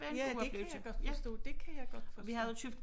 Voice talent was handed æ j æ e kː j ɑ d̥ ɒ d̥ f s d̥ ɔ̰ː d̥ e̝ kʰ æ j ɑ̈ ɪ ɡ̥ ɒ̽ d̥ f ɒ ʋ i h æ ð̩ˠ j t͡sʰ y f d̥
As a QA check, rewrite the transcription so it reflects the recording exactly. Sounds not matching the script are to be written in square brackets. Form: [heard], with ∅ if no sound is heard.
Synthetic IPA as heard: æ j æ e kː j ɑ [ɡ̥] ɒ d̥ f s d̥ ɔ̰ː d̥ e̝ kʰ æ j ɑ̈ ɪ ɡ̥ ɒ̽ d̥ f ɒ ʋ i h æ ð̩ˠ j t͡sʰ y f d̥

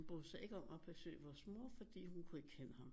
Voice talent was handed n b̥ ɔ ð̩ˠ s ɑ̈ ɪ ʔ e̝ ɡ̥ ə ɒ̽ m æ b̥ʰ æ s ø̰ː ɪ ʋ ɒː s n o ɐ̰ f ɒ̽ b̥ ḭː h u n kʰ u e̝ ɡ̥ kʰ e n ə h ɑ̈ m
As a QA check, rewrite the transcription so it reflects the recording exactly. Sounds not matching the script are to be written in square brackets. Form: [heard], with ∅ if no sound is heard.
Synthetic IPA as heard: n b̥ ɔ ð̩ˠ s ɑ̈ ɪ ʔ e̝ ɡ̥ ə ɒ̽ m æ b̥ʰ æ s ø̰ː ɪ ʋ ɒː s [m] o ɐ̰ f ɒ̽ [d̥] ḭː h u n kʰ u e̝ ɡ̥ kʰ e n ə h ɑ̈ m

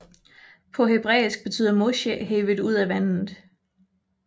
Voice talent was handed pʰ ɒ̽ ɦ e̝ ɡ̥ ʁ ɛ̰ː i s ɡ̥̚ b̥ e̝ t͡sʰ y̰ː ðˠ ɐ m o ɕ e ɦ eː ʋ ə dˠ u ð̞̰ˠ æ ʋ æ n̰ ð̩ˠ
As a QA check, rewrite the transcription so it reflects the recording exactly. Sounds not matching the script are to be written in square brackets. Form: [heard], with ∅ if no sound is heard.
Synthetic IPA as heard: pʰ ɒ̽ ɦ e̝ [b̥] ʁ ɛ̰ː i s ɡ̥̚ b̥ e̝ t͡sʰ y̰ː ðˠ ɐ m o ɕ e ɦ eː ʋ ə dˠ u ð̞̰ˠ æ ʋ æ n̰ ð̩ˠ

